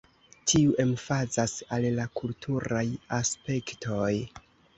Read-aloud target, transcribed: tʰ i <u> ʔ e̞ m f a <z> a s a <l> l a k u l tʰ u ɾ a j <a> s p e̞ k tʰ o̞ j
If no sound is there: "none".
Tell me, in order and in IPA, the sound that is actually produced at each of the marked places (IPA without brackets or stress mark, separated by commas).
u, z, l, a